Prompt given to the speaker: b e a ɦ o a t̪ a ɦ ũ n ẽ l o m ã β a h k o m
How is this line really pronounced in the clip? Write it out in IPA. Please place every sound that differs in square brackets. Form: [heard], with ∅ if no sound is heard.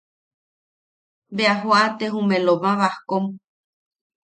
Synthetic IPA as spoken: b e a ɦ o a t̪ [e] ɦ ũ [m] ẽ l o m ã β a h k o m